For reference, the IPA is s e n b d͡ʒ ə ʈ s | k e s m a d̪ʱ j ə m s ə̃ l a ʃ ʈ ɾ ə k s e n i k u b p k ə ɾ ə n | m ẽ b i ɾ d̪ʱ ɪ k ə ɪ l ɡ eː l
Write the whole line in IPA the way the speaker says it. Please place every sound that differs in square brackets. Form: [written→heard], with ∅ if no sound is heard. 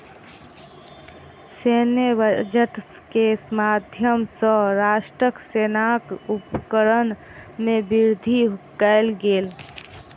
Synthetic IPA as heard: s e n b d͡ʒ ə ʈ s | k e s m a d̪ʱ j ə m s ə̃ [l→ɾ] a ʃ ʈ ɾ ə k s e n [i→a] k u [b→∅] p k ə ɾ ə n | m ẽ b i ɾ d̪ʱ [ɪ→i] k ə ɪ l ɡ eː l